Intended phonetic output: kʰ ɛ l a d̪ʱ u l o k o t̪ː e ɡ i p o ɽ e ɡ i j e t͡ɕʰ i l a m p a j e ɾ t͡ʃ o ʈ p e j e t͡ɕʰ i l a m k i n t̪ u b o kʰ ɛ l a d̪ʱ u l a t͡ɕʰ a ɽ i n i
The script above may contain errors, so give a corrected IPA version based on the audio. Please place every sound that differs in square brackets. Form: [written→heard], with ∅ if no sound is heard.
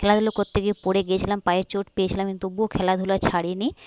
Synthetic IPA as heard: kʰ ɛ l a d̪ʱ u l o k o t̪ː e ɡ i p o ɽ e ɡ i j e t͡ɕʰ i l a m p a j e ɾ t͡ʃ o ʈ p e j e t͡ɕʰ i l a m k i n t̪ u b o kʰ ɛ l a d̪ʱ u l a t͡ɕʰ a ɽ i n i